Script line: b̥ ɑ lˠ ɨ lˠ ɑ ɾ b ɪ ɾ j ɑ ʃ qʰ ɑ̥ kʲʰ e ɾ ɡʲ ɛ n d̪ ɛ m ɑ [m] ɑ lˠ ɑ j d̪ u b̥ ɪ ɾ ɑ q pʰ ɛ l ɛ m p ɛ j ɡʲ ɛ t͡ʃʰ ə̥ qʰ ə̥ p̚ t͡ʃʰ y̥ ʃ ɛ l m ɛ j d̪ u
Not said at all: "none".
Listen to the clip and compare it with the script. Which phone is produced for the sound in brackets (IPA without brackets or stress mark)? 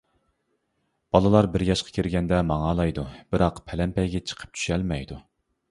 ŋ